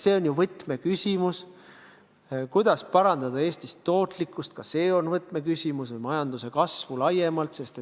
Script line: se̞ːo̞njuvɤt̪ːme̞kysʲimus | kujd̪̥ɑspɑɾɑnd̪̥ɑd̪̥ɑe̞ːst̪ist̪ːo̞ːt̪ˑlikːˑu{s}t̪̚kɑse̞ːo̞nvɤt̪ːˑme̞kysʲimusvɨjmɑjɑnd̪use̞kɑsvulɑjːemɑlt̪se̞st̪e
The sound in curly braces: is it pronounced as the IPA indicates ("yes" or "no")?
yes